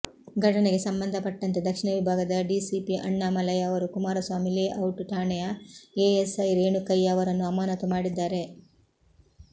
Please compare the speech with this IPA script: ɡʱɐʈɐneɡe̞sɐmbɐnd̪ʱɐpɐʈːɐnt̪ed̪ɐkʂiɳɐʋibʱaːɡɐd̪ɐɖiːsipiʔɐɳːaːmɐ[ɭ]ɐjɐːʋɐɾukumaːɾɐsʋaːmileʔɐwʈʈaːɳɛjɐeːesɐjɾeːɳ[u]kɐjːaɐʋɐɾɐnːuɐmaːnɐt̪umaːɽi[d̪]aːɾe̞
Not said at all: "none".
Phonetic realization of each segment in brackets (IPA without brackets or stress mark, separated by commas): l, u, d̪ː